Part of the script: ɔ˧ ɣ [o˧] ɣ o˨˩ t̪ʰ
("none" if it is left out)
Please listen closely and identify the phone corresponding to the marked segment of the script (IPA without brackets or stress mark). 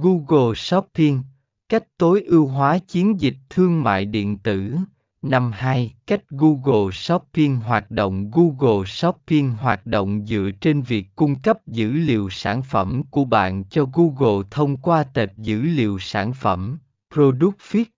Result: u˧